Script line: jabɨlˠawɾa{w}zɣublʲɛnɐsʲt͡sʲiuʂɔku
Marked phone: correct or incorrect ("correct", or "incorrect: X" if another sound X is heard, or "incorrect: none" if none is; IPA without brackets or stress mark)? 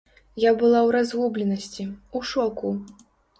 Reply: incorrect: none